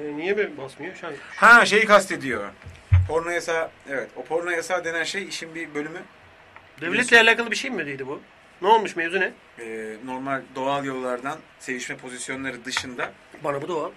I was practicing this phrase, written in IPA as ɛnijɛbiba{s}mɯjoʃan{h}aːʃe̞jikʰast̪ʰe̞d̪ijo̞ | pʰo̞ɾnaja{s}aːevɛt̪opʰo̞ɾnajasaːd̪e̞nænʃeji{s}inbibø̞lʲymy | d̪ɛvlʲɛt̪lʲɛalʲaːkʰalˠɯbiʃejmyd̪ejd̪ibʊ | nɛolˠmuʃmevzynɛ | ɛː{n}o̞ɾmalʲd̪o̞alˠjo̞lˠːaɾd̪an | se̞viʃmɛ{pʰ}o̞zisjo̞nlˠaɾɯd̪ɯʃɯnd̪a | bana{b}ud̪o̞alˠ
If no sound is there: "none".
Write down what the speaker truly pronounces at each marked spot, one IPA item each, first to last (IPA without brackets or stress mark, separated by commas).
s, h, s, ʃ, n, pʰ, b